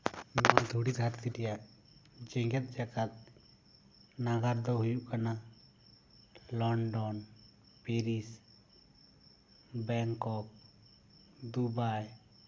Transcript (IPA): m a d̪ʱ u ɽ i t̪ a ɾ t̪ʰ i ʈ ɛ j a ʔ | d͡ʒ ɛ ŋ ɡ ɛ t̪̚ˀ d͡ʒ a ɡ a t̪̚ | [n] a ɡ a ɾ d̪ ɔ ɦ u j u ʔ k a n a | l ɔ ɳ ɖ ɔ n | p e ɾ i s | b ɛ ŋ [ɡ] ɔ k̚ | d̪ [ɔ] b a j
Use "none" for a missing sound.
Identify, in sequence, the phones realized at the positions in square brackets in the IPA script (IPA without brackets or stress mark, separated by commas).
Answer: n, k, u